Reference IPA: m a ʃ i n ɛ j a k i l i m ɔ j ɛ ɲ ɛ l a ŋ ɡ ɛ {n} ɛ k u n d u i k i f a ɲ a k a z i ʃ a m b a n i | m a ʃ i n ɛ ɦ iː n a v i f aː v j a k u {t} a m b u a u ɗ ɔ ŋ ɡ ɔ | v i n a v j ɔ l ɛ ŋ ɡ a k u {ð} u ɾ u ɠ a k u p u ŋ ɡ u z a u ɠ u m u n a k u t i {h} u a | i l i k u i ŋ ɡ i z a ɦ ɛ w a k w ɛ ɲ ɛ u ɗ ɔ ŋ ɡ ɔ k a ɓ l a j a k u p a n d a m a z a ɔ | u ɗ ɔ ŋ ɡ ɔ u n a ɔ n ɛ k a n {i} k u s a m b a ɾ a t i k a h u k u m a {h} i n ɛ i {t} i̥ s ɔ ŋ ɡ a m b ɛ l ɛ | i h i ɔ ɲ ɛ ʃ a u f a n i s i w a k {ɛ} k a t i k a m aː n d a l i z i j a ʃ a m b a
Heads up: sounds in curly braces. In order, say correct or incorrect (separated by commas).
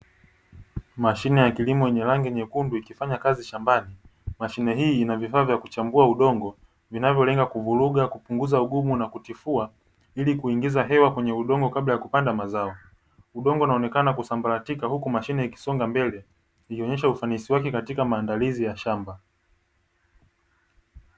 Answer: incorrect, incorrect, incorrect, incorrect, incorrect, incorrect, incorrect, correct